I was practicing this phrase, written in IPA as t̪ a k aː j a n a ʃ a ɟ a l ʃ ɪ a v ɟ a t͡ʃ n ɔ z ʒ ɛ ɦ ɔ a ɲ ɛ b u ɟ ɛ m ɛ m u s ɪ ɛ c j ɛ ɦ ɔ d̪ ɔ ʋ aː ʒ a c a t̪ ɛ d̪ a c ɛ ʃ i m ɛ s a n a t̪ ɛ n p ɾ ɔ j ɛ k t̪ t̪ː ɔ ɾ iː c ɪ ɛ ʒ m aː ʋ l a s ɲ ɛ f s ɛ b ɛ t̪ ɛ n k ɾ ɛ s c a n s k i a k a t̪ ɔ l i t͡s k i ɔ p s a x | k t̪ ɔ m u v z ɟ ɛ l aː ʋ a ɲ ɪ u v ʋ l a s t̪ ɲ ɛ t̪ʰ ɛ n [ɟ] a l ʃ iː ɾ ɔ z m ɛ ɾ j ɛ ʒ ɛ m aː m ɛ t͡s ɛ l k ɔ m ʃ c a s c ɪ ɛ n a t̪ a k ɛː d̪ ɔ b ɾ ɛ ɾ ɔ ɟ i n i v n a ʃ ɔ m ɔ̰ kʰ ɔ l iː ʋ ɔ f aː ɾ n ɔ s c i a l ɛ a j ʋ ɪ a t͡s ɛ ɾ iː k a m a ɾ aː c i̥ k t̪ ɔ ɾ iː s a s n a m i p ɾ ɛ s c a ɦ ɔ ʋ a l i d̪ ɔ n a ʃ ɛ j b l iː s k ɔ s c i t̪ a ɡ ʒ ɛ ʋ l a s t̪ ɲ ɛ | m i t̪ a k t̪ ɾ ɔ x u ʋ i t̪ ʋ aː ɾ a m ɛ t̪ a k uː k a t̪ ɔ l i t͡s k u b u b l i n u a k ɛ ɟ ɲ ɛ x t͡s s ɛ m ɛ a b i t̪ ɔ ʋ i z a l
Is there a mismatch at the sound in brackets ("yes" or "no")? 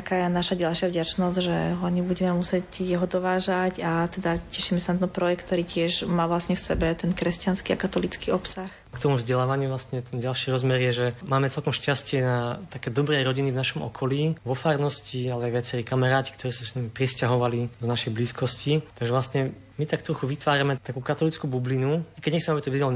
no